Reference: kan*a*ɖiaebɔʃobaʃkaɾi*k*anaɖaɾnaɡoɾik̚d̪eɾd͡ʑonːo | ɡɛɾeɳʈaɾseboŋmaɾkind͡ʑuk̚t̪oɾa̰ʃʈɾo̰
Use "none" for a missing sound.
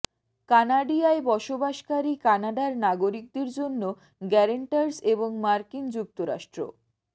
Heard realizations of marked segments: a, k

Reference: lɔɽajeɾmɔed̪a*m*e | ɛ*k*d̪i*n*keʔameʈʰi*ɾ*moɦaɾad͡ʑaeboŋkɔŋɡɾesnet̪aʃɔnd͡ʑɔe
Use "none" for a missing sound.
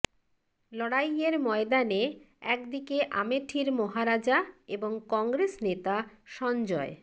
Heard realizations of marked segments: n, k, none, ɾ

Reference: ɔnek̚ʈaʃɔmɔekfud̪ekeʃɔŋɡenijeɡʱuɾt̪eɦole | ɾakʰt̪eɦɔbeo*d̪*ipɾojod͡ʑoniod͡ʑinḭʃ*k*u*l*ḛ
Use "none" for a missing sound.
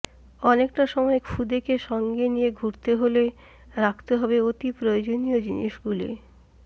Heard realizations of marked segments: t̪, ɡ, l

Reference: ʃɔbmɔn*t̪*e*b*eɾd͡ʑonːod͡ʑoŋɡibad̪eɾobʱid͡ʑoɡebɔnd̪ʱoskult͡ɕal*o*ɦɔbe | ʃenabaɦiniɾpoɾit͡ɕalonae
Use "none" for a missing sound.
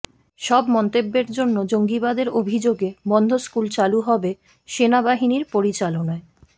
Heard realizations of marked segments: t̪, bː, u

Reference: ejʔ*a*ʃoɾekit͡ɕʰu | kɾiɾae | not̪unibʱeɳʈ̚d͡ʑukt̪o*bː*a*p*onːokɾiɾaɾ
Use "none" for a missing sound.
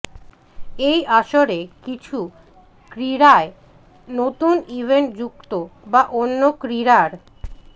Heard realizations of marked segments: a, b, ʔ

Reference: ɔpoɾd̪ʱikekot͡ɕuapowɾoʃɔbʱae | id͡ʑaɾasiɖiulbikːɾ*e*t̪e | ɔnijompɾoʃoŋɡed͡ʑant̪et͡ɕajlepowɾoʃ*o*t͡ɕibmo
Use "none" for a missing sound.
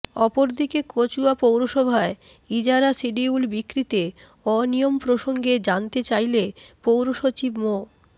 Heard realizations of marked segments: i, o

